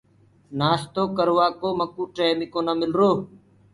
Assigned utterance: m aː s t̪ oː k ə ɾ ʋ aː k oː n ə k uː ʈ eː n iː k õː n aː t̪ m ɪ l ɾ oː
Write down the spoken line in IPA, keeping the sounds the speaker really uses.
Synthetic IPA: n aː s t̪ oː k ə ɾ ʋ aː k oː m ə k uː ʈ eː m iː k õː n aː m ɪ l ɾ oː